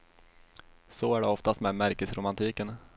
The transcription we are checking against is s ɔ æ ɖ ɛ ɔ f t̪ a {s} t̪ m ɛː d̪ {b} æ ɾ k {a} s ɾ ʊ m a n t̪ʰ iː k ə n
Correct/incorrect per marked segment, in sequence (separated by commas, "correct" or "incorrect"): correct, incorrect, incorrect